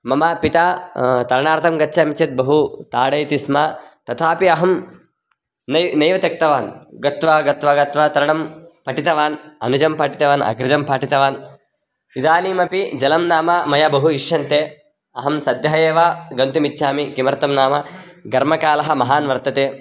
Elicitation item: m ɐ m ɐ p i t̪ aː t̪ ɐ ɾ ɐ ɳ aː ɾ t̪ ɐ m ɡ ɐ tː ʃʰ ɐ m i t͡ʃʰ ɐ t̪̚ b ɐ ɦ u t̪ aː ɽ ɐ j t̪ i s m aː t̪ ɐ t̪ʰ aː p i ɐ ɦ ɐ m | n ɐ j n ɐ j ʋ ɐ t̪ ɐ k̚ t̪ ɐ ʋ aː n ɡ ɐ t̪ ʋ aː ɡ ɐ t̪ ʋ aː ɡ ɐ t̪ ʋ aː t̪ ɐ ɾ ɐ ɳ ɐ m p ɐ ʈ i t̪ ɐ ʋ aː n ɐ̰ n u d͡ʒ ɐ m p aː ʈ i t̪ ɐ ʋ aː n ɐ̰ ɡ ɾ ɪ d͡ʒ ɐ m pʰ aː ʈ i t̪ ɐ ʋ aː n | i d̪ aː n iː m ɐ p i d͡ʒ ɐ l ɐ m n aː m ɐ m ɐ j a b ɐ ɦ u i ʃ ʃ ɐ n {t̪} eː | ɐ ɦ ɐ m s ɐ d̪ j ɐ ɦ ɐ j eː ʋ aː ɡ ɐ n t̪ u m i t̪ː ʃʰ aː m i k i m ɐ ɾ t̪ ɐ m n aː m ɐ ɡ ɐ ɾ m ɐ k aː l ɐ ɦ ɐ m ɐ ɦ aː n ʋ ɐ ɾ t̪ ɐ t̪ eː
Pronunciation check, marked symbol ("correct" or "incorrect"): correct